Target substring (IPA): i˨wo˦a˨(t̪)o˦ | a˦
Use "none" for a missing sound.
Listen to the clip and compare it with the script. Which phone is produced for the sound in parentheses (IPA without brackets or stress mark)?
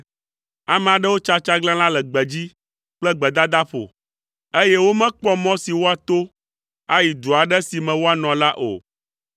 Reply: t̪